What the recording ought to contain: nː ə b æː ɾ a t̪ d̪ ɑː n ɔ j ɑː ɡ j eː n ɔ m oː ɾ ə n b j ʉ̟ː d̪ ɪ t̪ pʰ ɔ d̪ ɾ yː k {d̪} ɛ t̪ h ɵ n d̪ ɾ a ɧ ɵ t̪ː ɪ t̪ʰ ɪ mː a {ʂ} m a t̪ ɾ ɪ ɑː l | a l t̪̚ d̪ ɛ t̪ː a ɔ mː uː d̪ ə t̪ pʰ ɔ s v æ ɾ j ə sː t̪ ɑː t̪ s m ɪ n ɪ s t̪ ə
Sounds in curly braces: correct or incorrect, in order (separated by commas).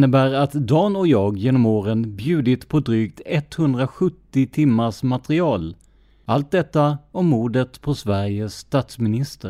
incorrect, correct